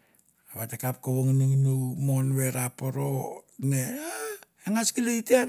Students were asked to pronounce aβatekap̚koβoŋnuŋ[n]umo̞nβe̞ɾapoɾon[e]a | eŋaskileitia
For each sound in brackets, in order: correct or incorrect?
correct, correct

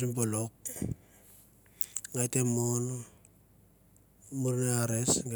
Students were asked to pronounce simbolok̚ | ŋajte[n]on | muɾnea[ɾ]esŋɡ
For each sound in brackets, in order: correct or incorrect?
incorrect: m, correct

